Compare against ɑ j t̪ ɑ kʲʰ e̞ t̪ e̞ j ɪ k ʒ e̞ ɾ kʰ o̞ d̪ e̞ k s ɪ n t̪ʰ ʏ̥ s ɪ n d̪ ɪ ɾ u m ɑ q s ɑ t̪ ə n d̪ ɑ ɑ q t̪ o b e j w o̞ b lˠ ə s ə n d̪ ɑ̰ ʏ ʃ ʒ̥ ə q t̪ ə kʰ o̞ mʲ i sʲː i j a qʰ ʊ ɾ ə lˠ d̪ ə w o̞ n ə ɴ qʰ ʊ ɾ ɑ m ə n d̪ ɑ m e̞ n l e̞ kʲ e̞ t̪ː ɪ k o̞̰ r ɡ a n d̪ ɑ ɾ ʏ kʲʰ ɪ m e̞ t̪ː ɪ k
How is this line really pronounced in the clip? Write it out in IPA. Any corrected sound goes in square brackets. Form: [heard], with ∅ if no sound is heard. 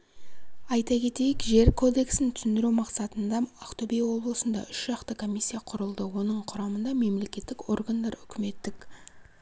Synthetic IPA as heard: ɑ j t̪ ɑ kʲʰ e̞ t̪ e̞ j ɪ k ʒ e̞ ɾ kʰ o̞ d̪ e̞ k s ɪ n t̪ʰ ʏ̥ s ɪ n d̪ ɪ ɾ u m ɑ q s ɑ t̪ ə n d̪ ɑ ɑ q t̪ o b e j w o̞ b lˠ ə s ə n d̪ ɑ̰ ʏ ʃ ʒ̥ [ɑ] q t̪ ə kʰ o̞ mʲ i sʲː i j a qʰ ʊ ɾ ə lˠ d̪ ə w o̞ n ə ɴ qʰ ʊ ɾ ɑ m ə n d̪ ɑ m e̞ [m] l e̞ kʲ e̞ t̪ː ɪ k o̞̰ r ɡ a n d̪ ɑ ɾ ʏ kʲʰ ɪ m e̞ t̪ː ɪ k

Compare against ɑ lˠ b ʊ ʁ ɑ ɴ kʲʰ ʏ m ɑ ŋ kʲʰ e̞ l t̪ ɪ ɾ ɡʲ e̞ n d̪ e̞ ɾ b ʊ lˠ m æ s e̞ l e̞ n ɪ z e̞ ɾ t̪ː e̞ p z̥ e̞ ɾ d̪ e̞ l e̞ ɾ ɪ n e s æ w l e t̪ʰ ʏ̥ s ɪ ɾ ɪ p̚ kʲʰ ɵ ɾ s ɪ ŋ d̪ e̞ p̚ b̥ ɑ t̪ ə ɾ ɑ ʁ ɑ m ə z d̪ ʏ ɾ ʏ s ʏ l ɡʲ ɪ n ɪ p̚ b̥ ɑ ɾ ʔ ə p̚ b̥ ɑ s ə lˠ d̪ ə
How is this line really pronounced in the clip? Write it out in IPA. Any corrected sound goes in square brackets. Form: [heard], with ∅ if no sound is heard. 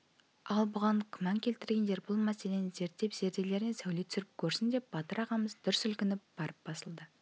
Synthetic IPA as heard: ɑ lˠ b ʊ ʁ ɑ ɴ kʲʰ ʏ m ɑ ŋ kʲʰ e̞ l t̪ ɪ ɾ ɡʲ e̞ n d̪ e̞ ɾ b ʊ lˠ m æ s e̞ l e̞ n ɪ z e̞ ɾ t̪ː e̞ p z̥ e̞ ɾ d̪ e̞ l e̞ ɾ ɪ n e s æ w l e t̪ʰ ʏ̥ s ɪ ɾ ɪ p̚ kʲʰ ɵ ɾ s ɪ [n] d̪ e̞ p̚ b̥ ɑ t̪ ə ɾ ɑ ʁ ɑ m ə z d̪ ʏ ɾ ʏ s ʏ l [kʲ] ɪ n ɪ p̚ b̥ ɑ ɾ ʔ ə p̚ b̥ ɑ s ə lˠ d̪ ə

